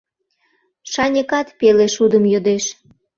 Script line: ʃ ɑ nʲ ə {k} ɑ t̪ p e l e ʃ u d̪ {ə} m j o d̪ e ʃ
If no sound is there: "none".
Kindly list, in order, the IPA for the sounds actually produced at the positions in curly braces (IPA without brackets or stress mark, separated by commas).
k, ə